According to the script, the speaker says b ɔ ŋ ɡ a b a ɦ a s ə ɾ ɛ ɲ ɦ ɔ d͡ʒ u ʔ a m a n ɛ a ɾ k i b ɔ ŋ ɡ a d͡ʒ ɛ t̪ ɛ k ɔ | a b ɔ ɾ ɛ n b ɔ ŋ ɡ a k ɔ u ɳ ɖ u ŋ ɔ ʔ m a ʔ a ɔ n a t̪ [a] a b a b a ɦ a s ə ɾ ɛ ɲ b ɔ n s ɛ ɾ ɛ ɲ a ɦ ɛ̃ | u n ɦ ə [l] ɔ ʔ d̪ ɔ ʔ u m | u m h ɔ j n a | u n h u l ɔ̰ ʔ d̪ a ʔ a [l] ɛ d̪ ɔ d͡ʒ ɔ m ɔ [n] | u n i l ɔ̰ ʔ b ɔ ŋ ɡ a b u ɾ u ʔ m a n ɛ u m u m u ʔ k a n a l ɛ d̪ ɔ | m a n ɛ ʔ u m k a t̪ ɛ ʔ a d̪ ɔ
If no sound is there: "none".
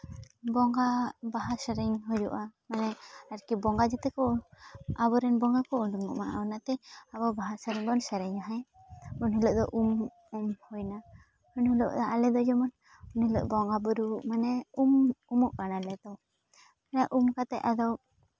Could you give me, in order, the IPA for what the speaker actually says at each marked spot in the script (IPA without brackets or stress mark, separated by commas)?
ɛ, l, l, n